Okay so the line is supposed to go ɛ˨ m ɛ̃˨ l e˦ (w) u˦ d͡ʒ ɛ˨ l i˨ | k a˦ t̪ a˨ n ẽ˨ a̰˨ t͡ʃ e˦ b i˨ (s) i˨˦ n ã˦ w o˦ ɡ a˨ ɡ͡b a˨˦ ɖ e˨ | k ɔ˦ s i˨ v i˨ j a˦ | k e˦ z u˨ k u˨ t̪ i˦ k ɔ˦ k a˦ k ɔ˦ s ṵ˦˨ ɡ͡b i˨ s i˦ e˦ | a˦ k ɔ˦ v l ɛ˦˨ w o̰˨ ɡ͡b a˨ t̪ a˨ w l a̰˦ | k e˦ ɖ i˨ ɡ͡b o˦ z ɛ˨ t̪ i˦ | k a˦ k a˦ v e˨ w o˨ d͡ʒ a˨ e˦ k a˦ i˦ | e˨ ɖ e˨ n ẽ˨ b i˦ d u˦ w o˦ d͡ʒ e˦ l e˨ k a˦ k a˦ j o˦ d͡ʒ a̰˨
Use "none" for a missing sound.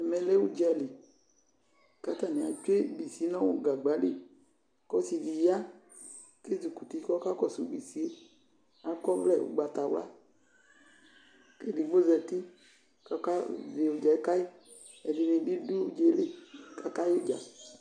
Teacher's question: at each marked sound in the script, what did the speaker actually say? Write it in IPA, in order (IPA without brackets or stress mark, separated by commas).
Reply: w, s